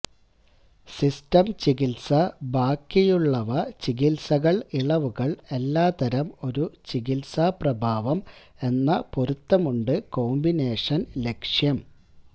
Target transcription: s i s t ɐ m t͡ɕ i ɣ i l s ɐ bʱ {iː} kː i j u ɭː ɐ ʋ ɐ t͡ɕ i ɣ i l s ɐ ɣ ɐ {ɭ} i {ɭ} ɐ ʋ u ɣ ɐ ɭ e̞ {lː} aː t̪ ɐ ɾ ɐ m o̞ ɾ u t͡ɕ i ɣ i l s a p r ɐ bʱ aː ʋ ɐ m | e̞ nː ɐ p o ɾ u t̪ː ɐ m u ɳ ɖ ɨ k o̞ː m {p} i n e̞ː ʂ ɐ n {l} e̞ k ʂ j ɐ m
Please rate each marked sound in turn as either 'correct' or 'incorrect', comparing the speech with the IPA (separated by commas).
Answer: incorrect, correct, correct, correct, incorrect, correct